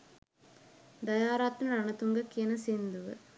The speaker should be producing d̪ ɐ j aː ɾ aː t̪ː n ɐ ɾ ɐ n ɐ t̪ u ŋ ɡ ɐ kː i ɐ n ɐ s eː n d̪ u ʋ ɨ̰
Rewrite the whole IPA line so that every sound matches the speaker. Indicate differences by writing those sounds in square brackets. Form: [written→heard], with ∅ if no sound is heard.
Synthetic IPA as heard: d̪ ɐ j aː ɾ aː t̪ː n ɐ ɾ ɐ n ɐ t̪ u ŋ ɡ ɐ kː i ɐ n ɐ s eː n d̪ u ʋ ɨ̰